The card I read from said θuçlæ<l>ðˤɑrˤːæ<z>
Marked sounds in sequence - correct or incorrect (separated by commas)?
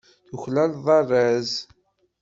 correct, correct